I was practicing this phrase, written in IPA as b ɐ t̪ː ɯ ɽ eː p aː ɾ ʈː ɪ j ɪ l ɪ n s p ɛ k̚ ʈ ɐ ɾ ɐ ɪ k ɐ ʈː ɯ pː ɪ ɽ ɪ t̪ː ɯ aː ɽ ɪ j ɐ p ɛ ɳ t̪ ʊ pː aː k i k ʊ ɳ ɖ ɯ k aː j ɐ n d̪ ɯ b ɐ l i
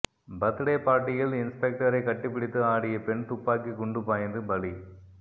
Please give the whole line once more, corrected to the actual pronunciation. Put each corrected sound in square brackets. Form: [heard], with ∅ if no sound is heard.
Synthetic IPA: b ɐ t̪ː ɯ ɽ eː p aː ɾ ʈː ɪ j ɪ l ɪ n s p ɛ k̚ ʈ ɐ ɾ ɐ ɪ k ɐ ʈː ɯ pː ɪ ɽ ɪ t̪ː ɯ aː ɽ ɪ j ɐ p ɛ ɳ t̪ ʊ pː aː k i k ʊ ɳ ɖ ɯ [p] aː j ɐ n d̪ ɯ b ɐ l i